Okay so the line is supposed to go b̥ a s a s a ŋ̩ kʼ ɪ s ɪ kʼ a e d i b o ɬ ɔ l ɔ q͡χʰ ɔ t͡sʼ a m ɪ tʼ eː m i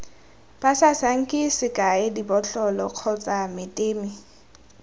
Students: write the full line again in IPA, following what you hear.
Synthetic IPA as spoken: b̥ a s a s a ŋ̩ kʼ ɪ s ɪ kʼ a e d i b ɔ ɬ ɔ l ɔ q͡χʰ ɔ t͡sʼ a m ɪ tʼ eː m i